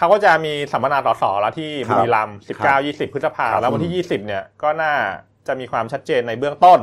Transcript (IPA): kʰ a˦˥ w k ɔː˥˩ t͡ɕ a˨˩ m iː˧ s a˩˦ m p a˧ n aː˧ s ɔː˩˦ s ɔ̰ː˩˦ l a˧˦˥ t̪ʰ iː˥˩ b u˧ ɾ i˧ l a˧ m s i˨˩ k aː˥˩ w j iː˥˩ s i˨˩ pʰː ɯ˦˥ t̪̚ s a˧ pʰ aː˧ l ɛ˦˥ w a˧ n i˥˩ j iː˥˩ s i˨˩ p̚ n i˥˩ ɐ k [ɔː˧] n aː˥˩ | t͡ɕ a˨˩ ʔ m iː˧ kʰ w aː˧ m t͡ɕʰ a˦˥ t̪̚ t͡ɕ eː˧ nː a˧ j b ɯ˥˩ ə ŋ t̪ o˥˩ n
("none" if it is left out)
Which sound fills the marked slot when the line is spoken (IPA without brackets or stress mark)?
ɔː˥˩